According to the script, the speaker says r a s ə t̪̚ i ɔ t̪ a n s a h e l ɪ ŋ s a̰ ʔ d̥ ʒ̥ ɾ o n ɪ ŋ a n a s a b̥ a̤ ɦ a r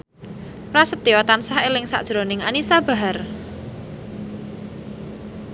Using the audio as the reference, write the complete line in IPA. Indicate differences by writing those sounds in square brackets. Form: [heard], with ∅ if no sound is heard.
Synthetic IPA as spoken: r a s ə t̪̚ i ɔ t̪ a n s a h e l ɪ ŋ s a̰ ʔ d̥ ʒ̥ ɾ o n ɪ ŋ a n [i] s a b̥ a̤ ɦ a r